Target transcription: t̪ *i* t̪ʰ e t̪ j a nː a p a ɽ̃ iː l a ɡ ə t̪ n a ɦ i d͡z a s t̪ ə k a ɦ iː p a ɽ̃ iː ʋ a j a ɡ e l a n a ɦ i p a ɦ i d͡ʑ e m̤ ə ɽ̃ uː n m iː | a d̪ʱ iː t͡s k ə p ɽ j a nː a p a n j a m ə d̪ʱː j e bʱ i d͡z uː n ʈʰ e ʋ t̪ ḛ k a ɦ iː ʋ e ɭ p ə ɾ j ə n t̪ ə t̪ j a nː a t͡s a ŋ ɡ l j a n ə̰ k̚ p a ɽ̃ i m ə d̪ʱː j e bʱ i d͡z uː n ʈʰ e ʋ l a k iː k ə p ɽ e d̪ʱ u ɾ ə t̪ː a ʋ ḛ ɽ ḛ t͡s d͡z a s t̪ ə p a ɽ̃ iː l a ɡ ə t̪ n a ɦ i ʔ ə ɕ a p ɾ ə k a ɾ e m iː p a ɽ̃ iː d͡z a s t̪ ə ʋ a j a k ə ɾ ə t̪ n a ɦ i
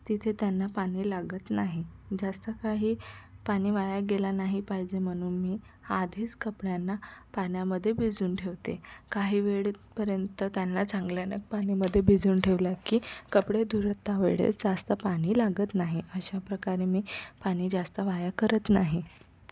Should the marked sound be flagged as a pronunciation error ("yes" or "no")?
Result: no